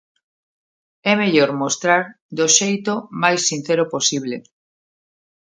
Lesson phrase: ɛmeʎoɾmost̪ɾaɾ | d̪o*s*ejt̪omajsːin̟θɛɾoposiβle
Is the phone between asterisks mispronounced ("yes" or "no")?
yes